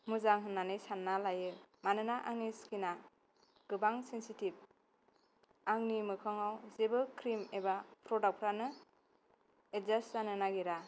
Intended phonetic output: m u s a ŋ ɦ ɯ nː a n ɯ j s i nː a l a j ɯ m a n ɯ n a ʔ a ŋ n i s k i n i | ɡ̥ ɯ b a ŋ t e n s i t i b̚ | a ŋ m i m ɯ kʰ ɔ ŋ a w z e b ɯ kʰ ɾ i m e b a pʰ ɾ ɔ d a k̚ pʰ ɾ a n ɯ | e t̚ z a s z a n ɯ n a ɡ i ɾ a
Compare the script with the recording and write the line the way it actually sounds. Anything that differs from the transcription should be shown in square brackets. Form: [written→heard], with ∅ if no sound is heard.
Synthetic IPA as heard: m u [s→z] a ŋ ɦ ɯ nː a n ɯ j s [i→a] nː a l a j ɯ m a n ɯ n a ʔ a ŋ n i s k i n [i→a] | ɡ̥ ɯ b a ŋ [t→s] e n s i t i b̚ | a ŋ [m→n] i m ɯ kʰ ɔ ŋ a w z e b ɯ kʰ ɾ i m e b a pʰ ɾ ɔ d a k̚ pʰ ɾ a n ɯ | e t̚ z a s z a n ɯ n a ɡ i ɾ a